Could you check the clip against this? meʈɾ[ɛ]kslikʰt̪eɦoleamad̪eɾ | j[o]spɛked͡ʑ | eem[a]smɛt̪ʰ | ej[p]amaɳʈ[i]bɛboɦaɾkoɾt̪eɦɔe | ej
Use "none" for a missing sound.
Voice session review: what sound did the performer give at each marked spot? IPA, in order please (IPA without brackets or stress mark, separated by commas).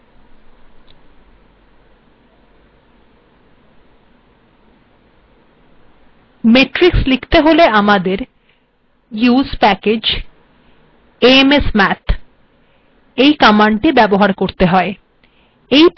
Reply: i, u, e, k, i